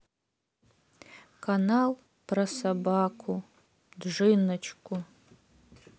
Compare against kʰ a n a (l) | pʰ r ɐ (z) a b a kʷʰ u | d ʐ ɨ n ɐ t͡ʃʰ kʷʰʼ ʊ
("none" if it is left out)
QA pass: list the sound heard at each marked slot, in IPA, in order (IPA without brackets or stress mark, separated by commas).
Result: l, s